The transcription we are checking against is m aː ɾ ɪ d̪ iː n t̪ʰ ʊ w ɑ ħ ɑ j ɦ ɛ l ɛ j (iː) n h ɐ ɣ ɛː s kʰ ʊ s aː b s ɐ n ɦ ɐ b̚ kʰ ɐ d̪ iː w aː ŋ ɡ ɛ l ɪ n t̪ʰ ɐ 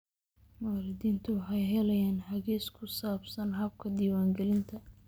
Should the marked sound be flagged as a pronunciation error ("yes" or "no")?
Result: yes